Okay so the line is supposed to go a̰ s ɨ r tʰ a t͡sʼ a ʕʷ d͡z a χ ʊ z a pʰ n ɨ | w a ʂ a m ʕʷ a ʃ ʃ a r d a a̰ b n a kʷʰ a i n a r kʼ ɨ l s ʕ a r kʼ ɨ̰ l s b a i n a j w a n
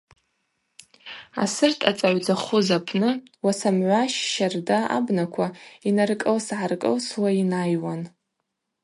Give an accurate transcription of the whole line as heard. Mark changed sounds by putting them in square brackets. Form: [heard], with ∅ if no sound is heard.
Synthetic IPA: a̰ s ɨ r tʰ a t͡sʼ a ʕʷ d͡z a χ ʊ z a pʰ n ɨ | w a [s] a m ʕʷ a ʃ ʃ a r d a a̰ b n a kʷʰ a i n a r kʼ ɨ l s ʕ a r kʼ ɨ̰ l s [w] a i n a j w a n